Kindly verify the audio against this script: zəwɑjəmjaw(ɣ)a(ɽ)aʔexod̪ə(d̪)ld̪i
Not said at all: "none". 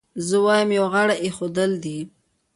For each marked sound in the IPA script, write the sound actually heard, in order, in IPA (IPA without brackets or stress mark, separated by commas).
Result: ɣ, ɽ, none